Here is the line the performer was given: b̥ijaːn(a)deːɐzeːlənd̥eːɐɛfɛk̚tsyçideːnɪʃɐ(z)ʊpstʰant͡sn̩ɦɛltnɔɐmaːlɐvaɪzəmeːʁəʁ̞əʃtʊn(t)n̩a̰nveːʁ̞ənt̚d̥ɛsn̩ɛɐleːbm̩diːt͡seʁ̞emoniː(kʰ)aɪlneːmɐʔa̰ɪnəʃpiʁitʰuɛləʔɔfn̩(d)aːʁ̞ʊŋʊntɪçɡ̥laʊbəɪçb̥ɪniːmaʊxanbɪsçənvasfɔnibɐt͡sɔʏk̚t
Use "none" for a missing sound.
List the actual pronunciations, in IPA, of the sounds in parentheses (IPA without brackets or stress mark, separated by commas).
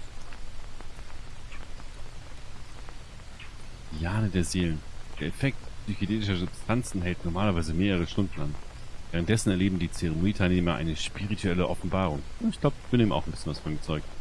ə, z, d, tʰ, b